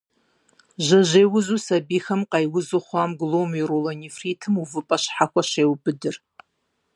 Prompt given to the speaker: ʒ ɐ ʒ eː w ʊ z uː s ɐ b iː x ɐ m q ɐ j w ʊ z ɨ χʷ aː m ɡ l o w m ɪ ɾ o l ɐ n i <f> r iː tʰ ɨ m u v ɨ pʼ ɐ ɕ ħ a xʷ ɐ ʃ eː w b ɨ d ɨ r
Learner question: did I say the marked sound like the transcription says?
yes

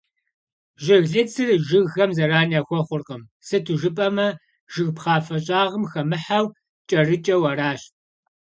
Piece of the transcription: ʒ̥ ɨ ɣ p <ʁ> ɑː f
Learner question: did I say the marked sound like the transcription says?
no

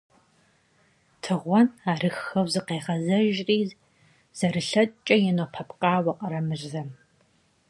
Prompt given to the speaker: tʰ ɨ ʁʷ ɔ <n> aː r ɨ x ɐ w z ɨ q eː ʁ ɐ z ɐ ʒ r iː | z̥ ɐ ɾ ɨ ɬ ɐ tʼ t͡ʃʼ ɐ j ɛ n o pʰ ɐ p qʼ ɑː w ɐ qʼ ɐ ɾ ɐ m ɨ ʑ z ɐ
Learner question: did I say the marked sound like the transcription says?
yes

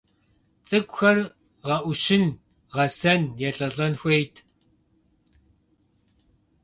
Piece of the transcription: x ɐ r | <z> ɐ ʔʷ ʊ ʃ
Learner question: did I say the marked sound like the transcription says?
no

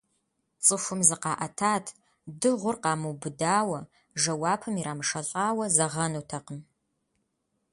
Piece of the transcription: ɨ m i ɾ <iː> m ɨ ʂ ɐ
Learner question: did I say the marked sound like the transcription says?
no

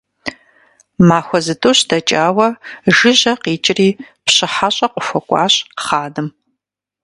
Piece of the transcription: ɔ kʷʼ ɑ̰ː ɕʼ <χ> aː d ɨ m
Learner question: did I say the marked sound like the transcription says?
yes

